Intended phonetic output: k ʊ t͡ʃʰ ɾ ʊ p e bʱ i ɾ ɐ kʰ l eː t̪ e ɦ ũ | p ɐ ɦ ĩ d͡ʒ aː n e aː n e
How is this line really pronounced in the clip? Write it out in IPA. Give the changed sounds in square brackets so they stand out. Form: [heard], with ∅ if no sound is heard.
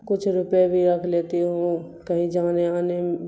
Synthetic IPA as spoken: k ʊ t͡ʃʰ ɾ ʊ p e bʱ i ɾ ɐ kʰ l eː t̪ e ɦ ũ | [k] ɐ ɦ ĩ d͡ʒ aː n e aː n e